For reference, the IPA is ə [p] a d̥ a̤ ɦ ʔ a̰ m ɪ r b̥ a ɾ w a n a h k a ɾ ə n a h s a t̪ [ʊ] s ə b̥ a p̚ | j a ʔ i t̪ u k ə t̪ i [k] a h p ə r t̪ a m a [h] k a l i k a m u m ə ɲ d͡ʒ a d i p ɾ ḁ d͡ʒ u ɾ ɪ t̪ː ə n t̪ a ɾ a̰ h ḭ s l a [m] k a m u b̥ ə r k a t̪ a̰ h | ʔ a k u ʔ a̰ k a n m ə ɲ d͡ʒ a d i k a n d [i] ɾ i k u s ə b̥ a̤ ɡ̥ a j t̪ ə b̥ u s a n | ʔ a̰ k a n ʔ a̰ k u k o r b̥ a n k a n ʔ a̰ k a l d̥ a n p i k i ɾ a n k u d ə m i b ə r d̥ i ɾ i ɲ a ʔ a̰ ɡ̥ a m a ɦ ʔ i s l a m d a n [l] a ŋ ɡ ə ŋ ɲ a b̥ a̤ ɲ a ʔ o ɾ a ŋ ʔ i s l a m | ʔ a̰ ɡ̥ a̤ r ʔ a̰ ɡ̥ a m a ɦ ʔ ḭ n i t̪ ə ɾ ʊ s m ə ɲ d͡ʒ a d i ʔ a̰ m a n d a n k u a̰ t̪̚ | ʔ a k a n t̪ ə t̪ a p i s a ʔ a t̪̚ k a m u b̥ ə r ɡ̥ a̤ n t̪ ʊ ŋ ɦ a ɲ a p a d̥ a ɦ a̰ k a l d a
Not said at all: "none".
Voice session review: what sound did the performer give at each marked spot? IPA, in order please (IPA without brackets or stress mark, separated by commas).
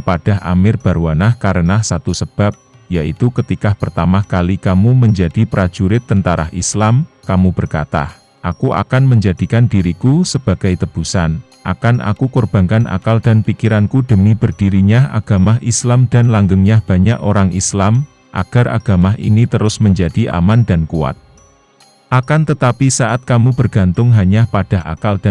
p, u, k, h, m, i, l